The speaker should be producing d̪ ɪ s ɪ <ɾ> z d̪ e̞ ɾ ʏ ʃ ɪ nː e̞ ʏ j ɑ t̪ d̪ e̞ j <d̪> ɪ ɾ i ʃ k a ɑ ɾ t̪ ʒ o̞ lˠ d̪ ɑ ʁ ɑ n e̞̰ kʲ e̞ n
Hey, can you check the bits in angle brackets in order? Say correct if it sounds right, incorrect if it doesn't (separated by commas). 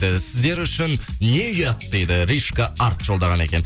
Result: incorrect, correct